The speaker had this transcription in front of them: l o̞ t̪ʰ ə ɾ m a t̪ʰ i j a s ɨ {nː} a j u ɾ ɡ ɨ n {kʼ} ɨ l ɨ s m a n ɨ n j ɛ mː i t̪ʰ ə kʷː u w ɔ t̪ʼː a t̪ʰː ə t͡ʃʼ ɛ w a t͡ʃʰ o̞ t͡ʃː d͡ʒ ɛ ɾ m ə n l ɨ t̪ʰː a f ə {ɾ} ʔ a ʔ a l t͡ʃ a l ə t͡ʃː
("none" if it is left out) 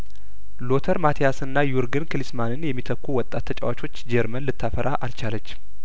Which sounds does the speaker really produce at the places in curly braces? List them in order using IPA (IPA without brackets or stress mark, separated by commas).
nː, k, ɾ